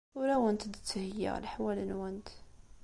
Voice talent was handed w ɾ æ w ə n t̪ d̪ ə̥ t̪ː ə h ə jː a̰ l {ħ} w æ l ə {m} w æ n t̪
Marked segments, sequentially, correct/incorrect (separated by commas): correct, incorrect